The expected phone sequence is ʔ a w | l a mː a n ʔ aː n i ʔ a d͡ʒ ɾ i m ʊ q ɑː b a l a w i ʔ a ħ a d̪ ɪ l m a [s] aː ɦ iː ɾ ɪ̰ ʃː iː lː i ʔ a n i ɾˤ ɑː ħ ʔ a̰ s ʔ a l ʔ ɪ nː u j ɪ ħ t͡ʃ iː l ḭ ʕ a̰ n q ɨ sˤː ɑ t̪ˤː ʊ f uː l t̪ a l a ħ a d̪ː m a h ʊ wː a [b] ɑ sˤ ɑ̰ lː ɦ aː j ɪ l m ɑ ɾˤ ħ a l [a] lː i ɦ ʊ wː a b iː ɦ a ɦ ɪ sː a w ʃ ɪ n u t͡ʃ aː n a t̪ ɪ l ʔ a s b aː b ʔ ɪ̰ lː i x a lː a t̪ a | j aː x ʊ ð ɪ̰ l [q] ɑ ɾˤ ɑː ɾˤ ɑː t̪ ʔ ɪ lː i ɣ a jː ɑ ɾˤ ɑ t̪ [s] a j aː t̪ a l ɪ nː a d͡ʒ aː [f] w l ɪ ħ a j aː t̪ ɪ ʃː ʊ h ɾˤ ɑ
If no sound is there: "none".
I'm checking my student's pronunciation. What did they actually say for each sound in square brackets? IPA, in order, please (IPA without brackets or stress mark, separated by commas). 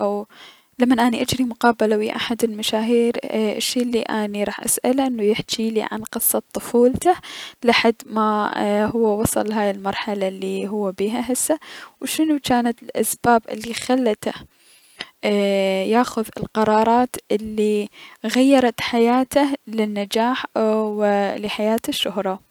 ʃ, w, a, q, ħ, ħ